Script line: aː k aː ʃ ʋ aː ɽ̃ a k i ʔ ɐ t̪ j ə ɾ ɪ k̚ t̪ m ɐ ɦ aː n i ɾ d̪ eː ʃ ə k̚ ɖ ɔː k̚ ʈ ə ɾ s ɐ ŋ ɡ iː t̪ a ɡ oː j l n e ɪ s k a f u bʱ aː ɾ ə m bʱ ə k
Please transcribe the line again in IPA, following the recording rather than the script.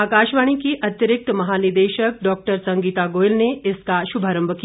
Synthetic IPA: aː k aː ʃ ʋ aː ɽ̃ i k i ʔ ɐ t̪ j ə ɾ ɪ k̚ t̪ m ɐ ɦ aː n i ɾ d̪ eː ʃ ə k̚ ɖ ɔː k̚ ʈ ə ɾ s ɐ ŋ ɡ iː t̪ a ɡ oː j l n e ɪ s k a ʃ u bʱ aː ɾ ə m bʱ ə k